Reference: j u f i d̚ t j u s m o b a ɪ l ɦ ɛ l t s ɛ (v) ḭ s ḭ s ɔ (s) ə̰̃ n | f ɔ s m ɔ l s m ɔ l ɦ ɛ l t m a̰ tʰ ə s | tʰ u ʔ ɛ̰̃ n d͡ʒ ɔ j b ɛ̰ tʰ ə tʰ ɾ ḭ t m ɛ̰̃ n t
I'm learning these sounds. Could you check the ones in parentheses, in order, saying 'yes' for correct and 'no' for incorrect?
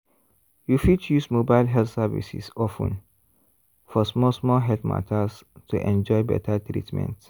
yes, no

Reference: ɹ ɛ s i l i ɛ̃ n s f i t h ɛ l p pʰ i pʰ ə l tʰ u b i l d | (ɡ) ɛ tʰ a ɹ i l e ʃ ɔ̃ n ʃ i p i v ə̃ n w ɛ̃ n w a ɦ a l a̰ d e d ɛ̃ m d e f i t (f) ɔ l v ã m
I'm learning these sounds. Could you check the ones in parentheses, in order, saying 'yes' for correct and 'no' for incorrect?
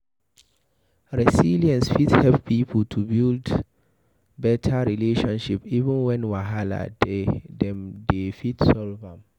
no, no

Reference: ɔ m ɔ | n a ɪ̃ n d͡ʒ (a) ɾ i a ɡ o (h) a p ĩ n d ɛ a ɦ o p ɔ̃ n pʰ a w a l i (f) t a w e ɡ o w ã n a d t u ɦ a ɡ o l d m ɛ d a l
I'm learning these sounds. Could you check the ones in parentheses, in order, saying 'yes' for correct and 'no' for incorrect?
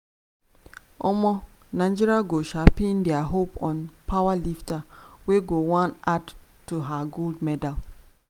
no, no, yes

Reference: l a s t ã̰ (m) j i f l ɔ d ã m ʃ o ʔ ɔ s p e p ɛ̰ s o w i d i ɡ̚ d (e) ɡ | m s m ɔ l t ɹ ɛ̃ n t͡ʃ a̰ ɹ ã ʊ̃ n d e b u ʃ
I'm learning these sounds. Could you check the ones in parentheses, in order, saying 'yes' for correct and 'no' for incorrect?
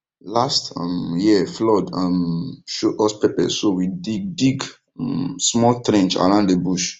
yes, no

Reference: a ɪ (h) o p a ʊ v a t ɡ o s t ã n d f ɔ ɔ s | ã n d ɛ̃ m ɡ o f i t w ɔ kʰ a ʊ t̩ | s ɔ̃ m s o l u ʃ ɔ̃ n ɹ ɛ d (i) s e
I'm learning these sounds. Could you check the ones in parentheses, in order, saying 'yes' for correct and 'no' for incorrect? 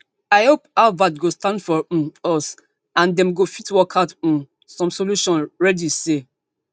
yes, yes

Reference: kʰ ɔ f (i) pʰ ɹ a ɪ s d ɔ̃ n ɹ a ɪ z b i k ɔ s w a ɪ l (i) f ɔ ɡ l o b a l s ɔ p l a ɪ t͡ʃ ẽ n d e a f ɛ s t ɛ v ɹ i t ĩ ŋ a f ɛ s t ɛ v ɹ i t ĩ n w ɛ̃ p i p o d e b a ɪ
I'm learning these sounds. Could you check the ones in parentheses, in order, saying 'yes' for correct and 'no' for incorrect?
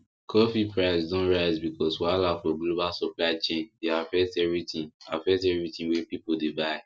yes, no

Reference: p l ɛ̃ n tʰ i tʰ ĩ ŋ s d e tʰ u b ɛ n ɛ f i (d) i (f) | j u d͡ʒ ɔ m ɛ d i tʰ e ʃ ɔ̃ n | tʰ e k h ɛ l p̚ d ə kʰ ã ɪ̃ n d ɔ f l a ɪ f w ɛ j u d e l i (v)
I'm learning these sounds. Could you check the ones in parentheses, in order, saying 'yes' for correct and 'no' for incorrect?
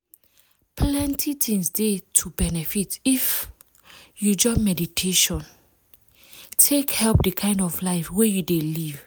no, yes, yes

